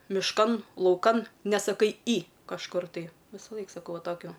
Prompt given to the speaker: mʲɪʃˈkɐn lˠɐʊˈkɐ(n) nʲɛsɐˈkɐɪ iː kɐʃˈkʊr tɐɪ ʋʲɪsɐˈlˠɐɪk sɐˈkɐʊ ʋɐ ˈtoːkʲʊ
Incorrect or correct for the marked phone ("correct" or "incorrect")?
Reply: correct